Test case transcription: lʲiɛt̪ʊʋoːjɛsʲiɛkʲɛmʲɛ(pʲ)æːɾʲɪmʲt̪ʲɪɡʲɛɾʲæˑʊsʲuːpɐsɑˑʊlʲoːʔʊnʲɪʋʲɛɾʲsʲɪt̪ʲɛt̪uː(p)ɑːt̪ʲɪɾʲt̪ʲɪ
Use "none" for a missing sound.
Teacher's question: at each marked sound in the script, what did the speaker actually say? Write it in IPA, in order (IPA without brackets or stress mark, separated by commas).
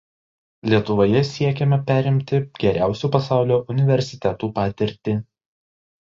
pʲ, p